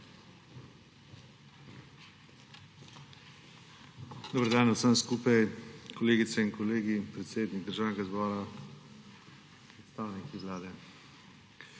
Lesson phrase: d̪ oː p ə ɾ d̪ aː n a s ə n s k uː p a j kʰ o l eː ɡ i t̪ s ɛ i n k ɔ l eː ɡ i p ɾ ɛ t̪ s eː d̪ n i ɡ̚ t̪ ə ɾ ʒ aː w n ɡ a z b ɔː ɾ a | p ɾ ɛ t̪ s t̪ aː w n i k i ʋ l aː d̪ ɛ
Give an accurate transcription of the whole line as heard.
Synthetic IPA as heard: d̪ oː b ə ɾ d̪ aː n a s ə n s k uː p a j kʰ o l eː ɡ i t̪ s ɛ i n k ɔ l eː ɡ i p ɾ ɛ t̪ s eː d̪ n i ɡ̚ d̪ ə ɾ ʒ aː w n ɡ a z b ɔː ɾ a | p ɾ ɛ t̪ s t̪ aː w n i k i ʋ l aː d̪ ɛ